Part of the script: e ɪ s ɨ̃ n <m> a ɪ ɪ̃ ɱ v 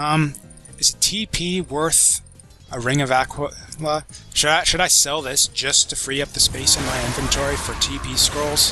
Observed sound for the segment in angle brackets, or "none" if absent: m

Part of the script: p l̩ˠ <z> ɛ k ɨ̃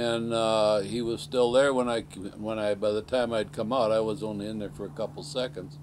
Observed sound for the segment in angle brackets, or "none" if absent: s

